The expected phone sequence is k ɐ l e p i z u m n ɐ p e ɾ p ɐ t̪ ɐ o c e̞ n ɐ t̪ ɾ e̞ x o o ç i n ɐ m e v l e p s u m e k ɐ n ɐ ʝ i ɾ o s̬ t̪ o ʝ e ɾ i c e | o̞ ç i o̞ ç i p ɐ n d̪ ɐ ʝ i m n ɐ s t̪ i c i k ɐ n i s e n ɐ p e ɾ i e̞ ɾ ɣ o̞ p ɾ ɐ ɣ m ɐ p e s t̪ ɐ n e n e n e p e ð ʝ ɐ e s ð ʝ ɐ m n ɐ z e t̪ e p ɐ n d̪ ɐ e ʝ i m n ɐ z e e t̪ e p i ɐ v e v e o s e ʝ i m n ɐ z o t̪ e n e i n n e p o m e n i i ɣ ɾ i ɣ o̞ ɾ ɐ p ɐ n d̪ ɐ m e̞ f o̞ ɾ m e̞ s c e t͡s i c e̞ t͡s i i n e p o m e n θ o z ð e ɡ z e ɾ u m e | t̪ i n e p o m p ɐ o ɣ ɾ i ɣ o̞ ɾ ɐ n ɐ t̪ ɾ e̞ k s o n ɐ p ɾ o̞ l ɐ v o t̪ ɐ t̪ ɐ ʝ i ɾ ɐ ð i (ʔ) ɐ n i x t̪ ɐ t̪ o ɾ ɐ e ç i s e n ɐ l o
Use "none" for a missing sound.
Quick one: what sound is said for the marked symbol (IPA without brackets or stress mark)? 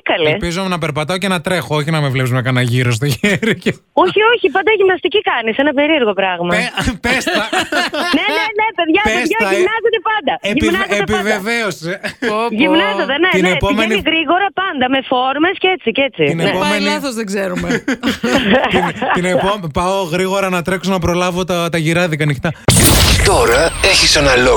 k